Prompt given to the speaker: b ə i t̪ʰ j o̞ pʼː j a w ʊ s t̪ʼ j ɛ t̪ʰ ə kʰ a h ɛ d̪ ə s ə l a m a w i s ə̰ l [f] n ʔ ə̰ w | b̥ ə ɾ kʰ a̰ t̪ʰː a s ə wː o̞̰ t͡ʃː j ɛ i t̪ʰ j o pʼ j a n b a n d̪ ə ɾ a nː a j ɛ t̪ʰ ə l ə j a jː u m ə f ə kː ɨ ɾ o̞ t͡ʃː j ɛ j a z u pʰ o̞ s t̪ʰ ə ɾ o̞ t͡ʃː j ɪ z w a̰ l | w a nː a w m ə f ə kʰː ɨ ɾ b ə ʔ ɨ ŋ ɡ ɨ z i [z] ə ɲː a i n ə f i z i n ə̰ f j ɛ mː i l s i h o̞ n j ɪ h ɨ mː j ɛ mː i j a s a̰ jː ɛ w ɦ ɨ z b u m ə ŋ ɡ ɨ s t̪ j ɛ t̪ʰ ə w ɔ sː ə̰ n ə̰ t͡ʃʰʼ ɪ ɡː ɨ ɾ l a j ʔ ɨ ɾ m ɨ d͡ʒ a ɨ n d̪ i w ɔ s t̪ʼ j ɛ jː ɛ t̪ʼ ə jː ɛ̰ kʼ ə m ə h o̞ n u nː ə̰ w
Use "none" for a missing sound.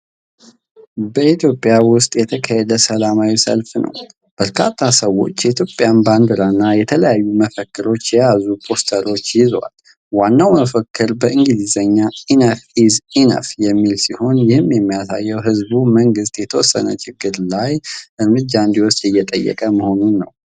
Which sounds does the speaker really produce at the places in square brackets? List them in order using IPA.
f, z

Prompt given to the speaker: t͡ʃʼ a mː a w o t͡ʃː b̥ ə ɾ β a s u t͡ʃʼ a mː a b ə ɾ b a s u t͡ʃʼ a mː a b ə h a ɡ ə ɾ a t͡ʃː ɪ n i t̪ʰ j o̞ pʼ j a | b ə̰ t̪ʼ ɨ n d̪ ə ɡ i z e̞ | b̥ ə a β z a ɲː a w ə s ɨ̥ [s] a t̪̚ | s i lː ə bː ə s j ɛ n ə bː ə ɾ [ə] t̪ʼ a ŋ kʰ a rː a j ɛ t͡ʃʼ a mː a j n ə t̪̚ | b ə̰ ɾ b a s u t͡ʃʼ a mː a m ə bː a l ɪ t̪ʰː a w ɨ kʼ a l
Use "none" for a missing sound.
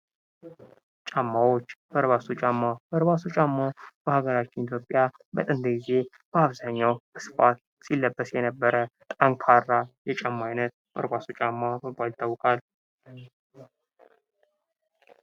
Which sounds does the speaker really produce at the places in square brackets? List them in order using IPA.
f, ə

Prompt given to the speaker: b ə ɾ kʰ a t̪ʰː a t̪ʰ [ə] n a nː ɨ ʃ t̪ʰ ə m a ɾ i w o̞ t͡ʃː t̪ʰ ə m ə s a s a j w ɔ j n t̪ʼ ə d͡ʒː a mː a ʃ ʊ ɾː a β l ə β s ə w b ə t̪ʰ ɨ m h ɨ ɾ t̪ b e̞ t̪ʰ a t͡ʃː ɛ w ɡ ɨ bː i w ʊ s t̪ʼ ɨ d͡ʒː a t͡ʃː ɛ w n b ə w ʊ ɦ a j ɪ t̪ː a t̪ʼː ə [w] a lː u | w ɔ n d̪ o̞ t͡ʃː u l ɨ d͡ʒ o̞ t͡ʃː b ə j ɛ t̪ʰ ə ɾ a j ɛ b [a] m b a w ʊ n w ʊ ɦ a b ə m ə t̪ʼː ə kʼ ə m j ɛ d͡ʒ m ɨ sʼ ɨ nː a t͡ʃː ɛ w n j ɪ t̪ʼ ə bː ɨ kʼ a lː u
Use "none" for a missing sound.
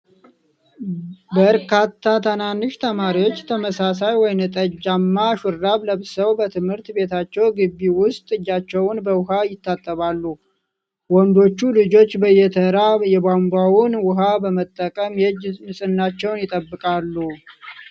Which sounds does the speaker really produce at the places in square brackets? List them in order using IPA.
ə, β, a

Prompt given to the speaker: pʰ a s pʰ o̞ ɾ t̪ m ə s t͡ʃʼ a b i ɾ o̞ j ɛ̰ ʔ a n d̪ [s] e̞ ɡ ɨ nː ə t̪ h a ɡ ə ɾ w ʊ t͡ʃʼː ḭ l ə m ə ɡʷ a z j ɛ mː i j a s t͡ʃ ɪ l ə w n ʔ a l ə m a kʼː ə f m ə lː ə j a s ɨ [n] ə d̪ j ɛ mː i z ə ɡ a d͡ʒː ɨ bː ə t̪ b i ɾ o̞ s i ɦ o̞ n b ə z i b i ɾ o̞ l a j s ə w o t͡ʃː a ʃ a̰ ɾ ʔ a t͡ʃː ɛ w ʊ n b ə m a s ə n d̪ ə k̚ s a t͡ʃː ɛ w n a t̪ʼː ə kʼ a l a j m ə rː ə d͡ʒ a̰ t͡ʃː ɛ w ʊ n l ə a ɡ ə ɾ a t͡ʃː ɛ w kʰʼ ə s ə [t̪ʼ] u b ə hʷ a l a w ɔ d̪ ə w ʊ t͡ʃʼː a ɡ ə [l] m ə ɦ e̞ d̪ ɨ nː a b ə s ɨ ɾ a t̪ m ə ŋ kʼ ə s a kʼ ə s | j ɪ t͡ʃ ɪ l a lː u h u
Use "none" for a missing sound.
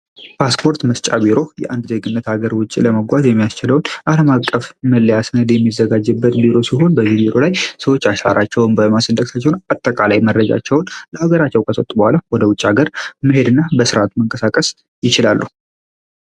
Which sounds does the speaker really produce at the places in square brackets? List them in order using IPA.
z, n, t̪ʼ, ɾ

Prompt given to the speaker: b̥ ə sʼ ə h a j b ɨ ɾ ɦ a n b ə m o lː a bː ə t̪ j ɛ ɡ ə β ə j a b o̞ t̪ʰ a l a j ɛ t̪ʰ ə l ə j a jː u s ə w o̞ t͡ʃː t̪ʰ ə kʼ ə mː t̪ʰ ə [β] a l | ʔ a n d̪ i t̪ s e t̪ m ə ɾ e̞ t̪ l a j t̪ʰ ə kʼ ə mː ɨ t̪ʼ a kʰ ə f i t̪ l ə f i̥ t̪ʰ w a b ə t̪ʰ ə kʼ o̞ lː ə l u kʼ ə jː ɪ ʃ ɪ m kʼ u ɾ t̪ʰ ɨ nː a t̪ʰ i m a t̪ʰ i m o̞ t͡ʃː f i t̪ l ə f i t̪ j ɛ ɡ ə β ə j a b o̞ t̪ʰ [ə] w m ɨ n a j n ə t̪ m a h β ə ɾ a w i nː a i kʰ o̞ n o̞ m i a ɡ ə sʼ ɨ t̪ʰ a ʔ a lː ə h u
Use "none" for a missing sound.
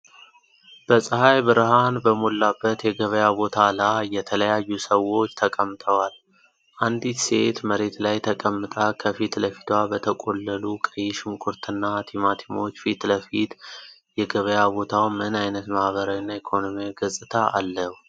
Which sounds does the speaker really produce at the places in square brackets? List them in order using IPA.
w, a

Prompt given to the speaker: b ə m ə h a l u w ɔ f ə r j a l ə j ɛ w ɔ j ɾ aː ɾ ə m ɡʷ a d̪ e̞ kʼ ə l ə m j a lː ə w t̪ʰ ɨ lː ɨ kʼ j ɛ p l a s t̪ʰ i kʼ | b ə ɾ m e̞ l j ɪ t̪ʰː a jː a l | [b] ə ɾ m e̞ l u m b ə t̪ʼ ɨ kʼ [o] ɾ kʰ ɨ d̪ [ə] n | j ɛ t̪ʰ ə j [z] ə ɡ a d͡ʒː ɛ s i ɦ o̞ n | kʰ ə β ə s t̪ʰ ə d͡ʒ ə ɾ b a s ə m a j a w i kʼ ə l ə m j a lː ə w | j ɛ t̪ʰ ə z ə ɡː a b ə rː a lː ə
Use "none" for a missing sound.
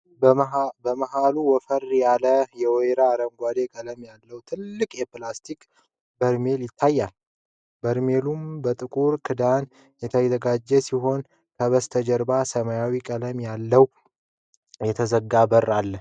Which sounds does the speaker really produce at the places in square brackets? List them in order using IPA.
b, u, a, z

